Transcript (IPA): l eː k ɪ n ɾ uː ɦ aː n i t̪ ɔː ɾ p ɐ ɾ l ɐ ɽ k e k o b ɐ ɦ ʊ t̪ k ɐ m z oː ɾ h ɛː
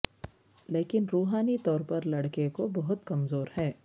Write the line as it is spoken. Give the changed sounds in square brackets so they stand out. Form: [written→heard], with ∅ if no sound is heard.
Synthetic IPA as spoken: l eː k ɪ n ɾ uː ɦ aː n i t̪ ɔː ɾ p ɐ ɾ l ɐ ɽ k e k o b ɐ ɦ ʊ t̪ k ɐ m z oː ɾ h ɛː